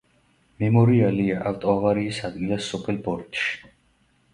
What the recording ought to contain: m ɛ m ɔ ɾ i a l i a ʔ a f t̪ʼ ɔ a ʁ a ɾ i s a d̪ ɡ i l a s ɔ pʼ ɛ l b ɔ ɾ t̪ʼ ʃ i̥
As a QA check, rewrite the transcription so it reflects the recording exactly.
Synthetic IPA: m ɛ m ɔ ɾ i a l i a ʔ a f t̪ʼ ɔ a v a ɾ iː s a d̪ ɡ i l a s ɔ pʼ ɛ l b ɔ ɾ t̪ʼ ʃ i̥